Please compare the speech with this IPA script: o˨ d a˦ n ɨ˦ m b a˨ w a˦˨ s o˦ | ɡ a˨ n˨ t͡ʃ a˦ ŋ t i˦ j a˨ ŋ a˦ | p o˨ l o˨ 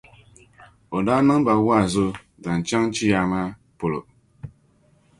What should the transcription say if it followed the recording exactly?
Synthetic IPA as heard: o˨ d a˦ n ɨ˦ ŋ b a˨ w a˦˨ z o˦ | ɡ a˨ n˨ t͡ʃ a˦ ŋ t͡ʃ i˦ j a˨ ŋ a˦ | p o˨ l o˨